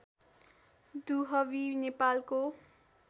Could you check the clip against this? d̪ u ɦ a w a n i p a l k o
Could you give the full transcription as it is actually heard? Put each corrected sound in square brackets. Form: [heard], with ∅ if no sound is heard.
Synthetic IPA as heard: d̪ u ɦ [ʌ] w [i] n [e] p a l k o

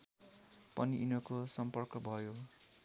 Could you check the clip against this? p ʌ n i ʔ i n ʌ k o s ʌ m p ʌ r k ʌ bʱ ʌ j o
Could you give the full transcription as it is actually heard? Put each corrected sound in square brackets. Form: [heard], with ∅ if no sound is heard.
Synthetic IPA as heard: p ʌ n i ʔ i n ʌ k o s ʌ m p ʌ r k ʌ bʱ ʌ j o

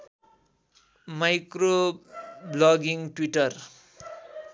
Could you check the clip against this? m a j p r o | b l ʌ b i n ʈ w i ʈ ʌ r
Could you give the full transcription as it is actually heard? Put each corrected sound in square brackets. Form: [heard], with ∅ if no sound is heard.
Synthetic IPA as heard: m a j [k] r o | b l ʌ [ɡ] i [ŋ] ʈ w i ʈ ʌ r

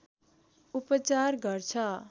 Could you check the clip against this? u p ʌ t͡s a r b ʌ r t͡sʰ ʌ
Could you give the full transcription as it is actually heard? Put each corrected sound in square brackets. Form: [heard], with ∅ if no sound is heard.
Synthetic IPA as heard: u p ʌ t͡s a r [ɡ] ʌ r t͡sʰ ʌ

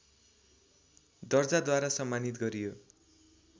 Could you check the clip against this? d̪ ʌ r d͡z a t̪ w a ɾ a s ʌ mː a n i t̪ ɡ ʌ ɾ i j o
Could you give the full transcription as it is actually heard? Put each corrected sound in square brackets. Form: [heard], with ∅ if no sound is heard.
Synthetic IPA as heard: d̪ ʌ r d͡z a [d̪] w a ɾ a s ʌ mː a n i t̪ ɡ ʌ ɾ i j o

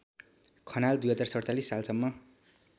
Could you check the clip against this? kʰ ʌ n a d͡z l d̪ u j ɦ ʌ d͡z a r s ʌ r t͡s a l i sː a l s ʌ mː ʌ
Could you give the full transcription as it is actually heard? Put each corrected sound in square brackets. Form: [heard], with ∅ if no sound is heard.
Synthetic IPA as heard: kʰ ʌ n a [∅] l d̪ u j ɦ ʌ d͡z a r s ʌ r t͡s a l i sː a l s ʌ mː ʌ

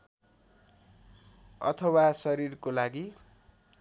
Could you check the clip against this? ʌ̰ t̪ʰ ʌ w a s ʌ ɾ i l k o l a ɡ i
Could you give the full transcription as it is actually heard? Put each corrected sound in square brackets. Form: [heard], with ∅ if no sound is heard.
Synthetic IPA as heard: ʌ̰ t̪ʰ ʌ w a s ʌ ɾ i [r] k o l a ɡ i

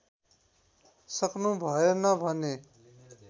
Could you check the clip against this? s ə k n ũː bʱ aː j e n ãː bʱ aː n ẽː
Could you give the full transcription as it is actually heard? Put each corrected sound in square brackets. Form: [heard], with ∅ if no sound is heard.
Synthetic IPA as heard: s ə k n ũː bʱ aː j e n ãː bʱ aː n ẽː

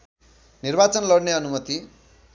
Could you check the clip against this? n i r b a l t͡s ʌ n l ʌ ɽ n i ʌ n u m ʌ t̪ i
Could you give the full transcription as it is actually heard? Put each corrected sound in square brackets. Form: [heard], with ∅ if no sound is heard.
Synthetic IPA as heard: n i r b a [∅] t͡s ʌ n l ʌ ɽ n [e] ʌ n u m ʌ t̪ i

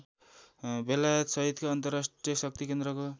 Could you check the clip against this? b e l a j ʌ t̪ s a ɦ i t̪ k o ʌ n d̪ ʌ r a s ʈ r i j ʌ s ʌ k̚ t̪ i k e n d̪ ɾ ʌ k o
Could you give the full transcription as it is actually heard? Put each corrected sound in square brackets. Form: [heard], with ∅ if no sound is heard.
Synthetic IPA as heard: b e l a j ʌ t̪ s [ʌ] ɦ i t̪ k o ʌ n [t̪] ʌ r a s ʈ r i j ʌ s ʌ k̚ t̪ i k e n d̪ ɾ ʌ k o

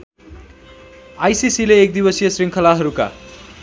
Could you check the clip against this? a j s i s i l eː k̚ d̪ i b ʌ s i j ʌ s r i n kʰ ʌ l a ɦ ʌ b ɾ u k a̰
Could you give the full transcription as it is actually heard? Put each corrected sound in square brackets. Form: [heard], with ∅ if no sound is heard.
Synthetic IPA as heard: a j s i s i l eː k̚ d̪ i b ʌ s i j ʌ s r i [ŋ] kʰ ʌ l a ɦ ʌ [∅] ɾ u k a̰

